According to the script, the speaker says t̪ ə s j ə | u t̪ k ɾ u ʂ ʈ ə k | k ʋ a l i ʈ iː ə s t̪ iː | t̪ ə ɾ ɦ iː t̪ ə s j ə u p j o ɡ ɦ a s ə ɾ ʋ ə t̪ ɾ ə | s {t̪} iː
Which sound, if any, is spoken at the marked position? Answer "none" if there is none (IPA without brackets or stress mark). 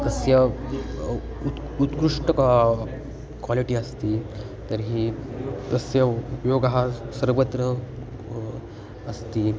t̪